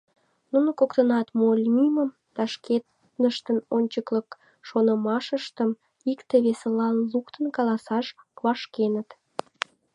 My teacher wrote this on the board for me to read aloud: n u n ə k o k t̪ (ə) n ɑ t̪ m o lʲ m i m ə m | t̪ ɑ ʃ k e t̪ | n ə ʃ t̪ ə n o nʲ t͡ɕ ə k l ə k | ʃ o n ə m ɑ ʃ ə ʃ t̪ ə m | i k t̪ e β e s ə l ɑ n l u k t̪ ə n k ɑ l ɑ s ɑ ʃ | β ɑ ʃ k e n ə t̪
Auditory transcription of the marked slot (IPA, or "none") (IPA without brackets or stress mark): ə